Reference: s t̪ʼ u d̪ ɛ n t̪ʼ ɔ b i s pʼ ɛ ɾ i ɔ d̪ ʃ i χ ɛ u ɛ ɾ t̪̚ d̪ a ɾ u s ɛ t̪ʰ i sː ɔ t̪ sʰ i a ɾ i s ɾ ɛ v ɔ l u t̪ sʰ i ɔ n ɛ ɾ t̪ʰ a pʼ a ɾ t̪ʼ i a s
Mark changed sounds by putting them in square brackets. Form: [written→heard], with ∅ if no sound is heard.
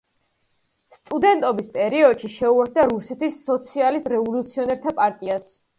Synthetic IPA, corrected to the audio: s t̪ʼ u d̪ ɛ n t̪ʼ ɔ b i s pʼ ɛ ɾ i ɔ d̪ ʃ i [χ→ʃ] ɛ u ɛ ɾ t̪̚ d̪ a ɾ u s ɛ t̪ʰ i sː ɔ t̪ sʰ i a [ɾ→l] i s ɾ ɛ v ɔ l u t̪ sʰ i ɔ n ɛ ɾ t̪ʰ a pʼ a ɾ t̪ʼ i a s